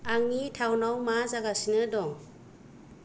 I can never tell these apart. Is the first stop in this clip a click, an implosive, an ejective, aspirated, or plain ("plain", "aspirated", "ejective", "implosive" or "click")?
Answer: aspirated